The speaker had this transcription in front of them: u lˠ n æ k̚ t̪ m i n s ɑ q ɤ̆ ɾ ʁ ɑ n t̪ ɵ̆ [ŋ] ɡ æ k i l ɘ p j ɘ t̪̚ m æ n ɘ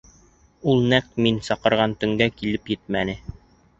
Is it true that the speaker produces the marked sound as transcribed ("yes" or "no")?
yes